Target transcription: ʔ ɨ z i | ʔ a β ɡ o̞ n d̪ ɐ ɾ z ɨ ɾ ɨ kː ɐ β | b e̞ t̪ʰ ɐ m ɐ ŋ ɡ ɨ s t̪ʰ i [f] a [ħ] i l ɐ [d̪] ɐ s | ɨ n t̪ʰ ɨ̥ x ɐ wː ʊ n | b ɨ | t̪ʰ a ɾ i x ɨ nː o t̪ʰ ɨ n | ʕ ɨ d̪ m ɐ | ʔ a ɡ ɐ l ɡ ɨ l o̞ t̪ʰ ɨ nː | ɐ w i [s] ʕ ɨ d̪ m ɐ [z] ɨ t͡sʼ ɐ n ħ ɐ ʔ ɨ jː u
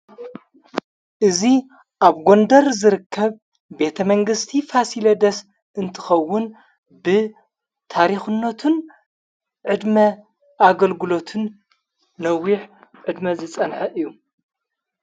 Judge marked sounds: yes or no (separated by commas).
yes, no, yes, no, yes